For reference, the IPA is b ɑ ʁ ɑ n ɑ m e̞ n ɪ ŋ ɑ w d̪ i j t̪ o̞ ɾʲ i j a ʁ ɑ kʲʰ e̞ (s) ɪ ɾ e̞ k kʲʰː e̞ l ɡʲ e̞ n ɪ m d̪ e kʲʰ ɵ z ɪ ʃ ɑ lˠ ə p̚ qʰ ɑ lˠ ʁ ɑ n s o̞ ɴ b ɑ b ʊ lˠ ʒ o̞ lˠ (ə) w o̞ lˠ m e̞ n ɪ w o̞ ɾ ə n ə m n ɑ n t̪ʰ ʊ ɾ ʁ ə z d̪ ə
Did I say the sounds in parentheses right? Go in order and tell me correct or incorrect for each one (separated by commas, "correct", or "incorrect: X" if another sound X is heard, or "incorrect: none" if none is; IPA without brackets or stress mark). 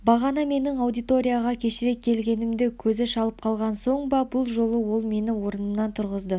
incorrect: ʃ, correct